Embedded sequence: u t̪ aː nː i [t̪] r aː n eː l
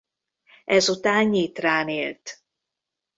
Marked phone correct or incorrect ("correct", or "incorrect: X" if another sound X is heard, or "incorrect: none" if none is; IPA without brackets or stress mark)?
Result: correct